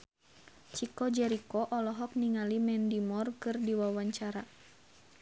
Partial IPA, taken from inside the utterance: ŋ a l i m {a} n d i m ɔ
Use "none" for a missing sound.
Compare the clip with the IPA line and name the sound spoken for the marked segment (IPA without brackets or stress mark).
ɛ